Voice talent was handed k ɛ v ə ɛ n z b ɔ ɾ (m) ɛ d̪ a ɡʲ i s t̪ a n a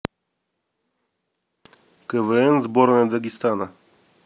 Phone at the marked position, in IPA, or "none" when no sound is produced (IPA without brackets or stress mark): n